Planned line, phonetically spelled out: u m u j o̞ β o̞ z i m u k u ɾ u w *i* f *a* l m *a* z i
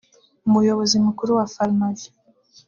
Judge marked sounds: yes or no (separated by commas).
no, yes, yes